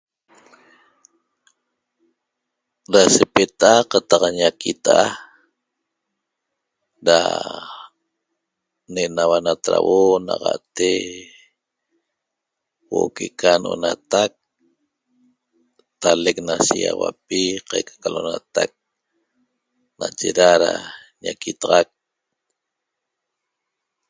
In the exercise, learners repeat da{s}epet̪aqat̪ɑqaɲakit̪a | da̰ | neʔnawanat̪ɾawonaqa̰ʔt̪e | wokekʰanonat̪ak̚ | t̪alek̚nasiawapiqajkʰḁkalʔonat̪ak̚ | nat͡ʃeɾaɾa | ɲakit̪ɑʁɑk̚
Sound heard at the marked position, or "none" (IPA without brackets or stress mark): s